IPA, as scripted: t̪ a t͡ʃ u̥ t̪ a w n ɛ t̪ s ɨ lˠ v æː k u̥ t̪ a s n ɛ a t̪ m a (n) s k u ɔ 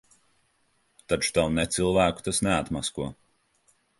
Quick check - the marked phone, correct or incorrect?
incorrect